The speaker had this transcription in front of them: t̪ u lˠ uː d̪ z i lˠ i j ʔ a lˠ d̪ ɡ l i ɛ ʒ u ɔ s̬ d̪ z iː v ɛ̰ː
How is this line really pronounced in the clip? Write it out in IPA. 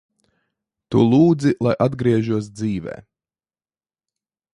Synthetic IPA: t̪ u lˠ uː d̪ z i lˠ a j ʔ a d̪ ɡ ɾ i ɛ ʒ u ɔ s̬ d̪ z iː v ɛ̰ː